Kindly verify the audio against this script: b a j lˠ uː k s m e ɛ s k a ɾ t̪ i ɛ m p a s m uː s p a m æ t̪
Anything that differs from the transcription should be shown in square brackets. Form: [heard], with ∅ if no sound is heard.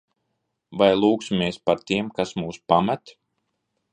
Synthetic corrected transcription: [v] a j lˠ uː k s m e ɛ s [p] a ɾ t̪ i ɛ m [k] a s m uː s p a m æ t̪